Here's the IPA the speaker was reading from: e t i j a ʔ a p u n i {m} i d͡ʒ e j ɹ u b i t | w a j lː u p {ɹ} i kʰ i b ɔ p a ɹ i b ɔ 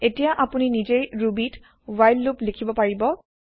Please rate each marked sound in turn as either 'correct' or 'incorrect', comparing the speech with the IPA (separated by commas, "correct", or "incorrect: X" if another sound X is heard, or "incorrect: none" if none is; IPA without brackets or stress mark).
incorrect: n, incorrect: l